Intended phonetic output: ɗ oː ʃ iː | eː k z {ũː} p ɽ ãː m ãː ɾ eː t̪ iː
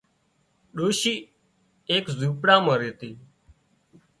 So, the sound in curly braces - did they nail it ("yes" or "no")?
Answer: no